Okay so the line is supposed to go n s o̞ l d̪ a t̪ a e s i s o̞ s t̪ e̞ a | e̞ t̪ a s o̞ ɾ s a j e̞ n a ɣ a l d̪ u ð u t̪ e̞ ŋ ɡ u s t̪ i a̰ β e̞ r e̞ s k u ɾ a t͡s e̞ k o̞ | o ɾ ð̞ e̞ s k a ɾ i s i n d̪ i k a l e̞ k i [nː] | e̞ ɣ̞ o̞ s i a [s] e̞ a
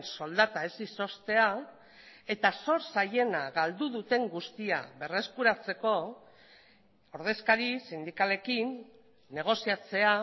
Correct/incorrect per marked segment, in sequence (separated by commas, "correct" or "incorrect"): correct, incorrect